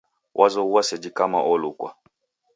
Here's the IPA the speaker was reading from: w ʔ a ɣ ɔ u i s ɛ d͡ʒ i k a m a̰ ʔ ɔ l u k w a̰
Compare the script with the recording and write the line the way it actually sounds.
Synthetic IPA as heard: w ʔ a z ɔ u a s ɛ d͡ʒ i k a m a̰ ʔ ɔ l u k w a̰